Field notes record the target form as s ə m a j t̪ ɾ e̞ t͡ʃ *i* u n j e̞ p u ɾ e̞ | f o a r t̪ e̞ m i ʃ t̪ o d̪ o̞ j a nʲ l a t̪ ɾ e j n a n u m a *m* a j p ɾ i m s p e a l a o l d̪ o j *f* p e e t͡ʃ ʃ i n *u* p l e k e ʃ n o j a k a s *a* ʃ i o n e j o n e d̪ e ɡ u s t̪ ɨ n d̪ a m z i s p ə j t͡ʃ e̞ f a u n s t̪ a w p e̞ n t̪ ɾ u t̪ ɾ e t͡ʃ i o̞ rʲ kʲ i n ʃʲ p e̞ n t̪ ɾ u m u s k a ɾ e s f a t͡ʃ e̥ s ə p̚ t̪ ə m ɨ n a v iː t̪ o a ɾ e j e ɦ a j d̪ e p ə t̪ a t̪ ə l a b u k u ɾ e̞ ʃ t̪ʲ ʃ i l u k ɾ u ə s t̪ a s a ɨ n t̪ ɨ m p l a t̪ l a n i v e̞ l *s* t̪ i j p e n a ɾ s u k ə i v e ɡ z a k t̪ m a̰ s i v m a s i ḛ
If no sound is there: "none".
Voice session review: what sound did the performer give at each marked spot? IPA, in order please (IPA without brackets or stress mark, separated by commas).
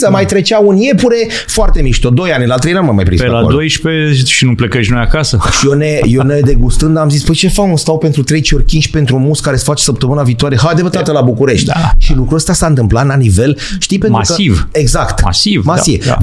a, m, ʃ, u, ə, ʃ